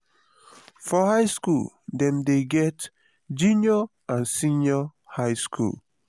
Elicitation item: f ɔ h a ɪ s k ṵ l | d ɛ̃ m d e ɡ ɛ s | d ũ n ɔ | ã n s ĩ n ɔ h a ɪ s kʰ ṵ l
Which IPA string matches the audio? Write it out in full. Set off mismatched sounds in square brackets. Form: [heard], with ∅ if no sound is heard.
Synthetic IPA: f ɔ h a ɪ s k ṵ l | d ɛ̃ m d e ɡ ɛ [t] | [d͡ʒ] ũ n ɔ | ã n s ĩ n ɔ h a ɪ s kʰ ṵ l